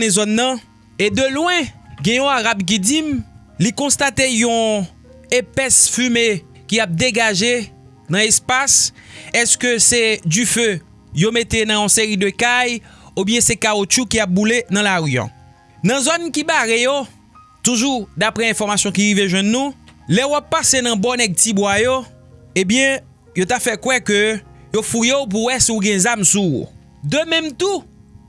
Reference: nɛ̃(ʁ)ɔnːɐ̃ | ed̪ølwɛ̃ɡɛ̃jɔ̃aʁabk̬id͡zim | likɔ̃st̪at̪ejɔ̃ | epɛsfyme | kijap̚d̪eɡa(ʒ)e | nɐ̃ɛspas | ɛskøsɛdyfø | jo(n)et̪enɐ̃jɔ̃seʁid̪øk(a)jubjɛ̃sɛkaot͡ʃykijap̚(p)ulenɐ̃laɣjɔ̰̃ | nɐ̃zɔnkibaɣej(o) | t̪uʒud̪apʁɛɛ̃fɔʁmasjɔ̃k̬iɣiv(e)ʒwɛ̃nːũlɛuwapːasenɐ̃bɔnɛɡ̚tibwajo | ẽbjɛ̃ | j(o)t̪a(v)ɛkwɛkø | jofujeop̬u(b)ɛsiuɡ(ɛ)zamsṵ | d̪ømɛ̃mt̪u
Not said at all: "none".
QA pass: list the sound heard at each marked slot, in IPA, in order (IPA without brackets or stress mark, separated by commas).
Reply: z, ʒ, m, a, b, o, e, o, f, w, ɛ̃